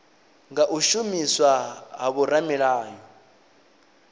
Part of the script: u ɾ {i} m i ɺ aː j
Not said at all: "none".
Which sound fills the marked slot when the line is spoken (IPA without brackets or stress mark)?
a